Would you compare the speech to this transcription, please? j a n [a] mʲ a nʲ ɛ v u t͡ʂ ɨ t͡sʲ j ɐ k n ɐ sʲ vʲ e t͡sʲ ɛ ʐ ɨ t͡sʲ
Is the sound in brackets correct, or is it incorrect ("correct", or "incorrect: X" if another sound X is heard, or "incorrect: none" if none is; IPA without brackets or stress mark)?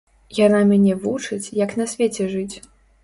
correct